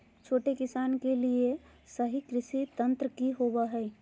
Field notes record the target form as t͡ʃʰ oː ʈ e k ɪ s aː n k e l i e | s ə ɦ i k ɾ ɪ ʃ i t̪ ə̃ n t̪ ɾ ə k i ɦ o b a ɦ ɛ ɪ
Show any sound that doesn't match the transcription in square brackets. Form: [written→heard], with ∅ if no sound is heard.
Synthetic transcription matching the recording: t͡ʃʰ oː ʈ e k ɪ s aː n k e l i e | s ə ɦ i k ɾ ɪ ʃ i t̪ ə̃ n t̪ ɾ ə k i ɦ o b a ɦ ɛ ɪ